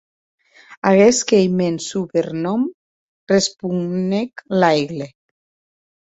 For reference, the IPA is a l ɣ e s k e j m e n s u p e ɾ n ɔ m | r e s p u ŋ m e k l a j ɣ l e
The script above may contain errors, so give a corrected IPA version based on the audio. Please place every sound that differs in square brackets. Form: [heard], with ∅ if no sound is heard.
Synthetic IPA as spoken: a [∅] ɣ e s k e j m e n s u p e ɾ n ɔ m | r e s p u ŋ [n] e k l a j ɣ l e